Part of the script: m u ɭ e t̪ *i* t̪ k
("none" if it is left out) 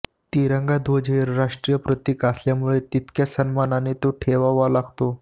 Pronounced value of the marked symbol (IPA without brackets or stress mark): i